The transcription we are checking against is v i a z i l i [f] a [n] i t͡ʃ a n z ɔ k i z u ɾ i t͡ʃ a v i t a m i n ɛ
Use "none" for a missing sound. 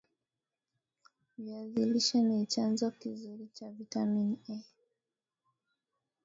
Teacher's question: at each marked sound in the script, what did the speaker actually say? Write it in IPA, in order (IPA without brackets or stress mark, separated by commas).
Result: ʃ, n